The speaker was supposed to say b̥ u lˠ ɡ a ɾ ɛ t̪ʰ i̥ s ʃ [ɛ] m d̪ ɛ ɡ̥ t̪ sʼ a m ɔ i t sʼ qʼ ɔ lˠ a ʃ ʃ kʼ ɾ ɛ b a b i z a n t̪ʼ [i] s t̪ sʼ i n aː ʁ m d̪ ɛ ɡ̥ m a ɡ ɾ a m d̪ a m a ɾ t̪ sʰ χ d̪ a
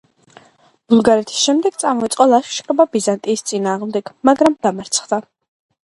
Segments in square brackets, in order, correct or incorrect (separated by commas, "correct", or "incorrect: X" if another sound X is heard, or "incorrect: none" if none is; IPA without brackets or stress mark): correct, incorrect: iː